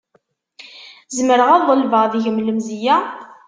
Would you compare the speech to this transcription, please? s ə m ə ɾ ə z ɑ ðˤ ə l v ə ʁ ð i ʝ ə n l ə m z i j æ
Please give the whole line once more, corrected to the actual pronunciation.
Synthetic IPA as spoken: z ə m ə ɾ ə ʁ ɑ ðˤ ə l v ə ʁ ð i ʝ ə m l ə m z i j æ

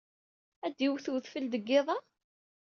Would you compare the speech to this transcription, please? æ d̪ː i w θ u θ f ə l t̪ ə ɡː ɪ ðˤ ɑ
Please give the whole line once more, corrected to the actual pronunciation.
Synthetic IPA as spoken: æ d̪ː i w θ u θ f ə l d̪ ə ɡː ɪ ðˤ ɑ

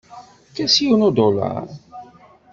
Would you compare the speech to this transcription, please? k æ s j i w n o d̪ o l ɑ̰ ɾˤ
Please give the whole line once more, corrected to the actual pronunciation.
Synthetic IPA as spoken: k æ s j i w n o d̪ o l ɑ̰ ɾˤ

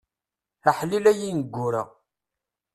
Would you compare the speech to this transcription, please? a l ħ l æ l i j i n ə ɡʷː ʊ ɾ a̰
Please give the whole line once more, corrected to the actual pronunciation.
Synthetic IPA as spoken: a ħ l i l æ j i n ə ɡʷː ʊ ɾ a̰

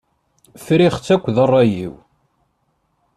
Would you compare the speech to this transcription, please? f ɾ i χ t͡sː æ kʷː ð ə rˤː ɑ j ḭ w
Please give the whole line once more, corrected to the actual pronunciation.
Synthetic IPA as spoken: f ɾ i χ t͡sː æ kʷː ð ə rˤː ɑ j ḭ w

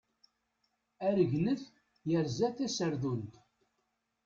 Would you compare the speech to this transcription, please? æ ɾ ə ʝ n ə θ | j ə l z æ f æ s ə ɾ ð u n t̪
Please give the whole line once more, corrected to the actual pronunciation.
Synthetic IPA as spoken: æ ɾ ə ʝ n ə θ | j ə ɾ z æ θ æ s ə ɾ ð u n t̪

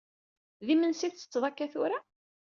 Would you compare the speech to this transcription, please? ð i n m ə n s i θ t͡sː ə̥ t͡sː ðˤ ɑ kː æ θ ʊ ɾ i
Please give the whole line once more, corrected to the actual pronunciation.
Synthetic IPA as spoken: ð i m ə n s i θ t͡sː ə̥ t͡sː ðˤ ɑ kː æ θ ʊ ɾ a

